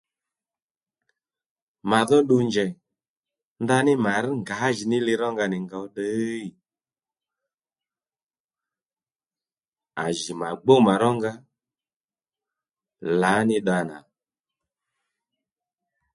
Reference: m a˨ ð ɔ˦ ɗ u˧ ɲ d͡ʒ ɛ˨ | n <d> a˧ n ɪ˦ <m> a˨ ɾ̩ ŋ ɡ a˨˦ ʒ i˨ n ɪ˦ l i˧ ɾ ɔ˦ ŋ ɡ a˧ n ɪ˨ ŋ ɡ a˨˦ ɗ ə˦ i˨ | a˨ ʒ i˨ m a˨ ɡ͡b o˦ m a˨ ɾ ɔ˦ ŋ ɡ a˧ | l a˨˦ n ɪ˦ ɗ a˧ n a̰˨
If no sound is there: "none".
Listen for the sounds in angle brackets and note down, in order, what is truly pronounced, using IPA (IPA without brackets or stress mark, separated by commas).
d, m